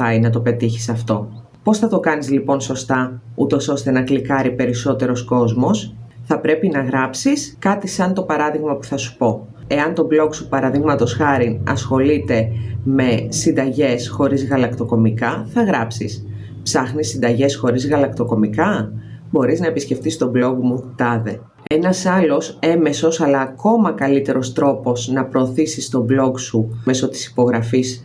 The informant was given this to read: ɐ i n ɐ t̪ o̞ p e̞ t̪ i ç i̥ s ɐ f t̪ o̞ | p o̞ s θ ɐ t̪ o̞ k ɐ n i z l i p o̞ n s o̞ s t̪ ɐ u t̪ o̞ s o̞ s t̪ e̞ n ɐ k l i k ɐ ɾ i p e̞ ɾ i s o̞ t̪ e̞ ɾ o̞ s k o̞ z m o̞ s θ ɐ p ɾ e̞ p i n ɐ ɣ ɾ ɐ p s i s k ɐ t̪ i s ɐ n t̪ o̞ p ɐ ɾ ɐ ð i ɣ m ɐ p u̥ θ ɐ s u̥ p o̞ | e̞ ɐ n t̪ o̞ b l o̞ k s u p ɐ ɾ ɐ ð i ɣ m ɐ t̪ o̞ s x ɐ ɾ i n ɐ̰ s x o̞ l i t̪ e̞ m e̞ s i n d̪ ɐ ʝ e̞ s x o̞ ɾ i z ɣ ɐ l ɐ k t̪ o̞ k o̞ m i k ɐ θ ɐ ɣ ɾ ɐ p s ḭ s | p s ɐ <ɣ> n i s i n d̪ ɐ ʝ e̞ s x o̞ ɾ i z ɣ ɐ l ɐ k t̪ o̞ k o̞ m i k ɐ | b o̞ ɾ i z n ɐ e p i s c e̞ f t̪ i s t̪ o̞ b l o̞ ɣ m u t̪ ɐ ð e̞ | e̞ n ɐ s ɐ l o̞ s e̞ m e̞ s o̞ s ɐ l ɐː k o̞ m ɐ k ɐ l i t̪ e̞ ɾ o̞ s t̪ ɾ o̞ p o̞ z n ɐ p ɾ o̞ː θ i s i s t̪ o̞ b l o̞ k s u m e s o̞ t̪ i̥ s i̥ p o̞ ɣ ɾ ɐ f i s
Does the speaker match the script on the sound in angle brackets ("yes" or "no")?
no